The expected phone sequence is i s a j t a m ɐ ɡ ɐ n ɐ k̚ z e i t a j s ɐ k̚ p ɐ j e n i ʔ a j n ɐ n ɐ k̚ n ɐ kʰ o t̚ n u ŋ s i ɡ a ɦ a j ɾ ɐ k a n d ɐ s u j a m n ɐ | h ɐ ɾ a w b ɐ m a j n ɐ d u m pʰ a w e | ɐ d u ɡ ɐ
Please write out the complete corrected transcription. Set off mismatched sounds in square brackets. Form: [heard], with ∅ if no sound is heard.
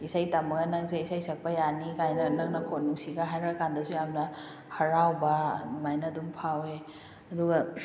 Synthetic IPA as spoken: i s a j t a m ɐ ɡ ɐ n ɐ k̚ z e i [s] a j s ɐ k̚ p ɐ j [a] n i [k] a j n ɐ n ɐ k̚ n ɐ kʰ o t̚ n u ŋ s i ɡ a ɦ a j ɾ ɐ k a n d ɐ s u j a m n ɐ | h ɐ ɾ a w b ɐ m a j n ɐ d u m pʰ a w e | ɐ d u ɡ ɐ